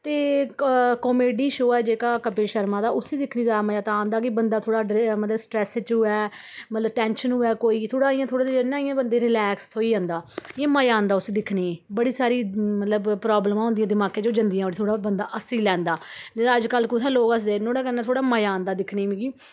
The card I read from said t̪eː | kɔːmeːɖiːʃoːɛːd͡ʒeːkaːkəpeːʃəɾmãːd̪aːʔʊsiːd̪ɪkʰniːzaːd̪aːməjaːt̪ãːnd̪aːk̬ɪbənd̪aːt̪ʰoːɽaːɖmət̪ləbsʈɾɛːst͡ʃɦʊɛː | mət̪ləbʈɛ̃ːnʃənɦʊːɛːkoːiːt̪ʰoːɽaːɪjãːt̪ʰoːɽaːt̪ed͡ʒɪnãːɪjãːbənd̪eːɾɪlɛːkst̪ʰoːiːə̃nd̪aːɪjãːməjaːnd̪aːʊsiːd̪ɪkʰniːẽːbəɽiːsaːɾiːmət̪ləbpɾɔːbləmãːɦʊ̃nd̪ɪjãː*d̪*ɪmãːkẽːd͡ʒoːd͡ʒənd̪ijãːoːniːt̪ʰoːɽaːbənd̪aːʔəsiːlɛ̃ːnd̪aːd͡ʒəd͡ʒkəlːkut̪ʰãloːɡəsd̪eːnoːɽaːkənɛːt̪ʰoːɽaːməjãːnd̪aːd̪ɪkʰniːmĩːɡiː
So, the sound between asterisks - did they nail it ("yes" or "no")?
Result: yes